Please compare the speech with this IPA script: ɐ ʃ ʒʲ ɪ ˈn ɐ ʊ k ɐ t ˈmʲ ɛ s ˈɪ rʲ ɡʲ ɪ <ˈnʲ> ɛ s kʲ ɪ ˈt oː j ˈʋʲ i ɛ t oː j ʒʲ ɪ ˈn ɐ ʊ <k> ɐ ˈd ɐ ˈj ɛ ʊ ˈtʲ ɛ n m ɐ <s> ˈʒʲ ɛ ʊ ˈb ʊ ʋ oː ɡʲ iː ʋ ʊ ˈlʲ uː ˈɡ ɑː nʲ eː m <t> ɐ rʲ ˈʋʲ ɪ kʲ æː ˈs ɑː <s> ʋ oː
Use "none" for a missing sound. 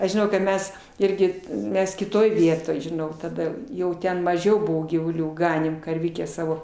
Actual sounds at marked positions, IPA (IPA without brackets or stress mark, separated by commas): mʲ, t, none, k, none